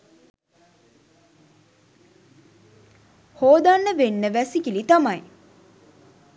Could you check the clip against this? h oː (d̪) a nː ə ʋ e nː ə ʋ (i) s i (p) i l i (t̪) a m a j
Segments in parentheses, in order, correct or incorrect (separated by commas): correct, incorrect, incorrect, correct